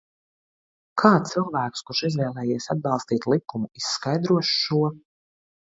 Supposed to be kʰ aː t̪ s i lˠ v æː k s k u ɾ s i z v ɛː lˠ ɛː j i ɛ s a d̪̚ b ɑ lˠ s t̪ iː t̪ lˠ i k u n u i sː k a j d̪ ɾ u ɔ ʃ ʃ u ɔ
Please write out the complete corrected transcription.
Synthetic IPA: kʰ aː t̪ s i lˠ v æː k s k u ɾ ʃ i z v ɛː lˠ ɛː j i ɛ s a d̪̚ b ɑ lˠ s t̪ iː t̪ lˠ i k u m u i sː k a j d̪ ɾ u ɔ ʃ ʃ u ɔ